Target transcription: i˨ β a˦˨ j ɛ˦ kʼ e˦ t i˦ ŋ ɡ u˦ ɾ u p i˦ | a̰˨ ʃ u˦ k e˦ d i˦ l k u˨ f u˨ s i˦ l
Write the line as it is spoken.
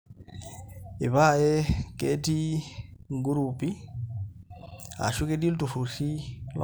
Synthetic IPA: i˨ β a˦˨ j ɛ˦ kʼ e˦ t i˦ ŋ ɡ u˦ ɾ u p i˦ | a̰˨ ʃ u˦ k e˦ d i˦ l t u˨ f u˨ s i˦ l